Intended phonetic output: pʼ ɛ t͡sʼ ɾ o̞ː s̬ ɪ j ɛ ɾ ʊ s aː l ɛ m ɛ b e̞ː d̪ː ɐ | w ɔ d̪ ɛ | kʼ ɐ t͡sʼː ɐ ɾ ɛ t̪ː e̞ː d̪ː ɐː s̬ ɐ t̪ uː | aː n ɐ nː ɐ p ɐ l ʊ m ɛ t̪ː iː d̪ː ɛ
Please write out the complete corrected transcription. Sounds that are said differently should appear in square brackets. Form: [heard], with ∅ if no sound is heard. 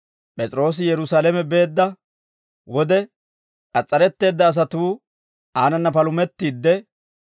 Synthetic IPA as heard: pʼ ɛ t͡sʼ ɾ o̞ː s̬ ɪ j ɛ ɾ ʊ s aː l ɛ m ɛ b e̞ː d̪ː ɐ | w ɔ d̪ ɛ | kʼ ɐ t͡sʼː ɐ ɾ ɛ t̪ː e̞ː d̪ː ɐː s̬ ɐ t̪ uː | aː n ɐ nː ɐ p ɐ l ʊ m ɛ t̪ː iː d̪ː ɛ